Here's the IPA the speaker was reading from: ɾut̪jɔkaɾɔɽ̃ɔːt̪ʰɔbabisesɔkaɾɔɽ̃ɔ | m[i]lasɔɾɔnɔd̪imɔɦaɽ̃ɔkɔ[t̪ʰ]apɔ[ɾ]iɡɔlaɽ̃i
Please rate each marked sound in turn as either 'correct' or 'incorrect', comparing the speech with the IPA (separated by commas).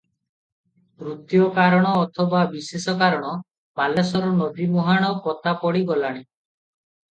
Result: incorrect, incorrect, incorrect